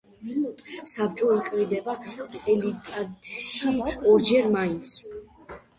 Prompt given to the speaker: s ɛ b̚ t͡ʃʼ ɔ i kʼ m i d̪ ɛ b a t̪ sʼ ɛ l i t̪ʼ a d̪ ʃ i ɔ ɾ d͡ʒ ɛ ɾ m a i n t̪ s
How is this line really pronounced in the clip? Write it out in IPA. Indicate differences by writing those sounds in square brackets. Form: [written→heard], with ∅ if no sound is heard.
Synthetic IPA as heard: s [ɛ→a] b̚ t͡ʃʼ ɔ i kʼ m i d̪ ɛ b a t̪ sʼ ɛ l i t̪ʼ a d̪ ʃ i ɔ ɾ d͡ʒ ɛ ɾ m a i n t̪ s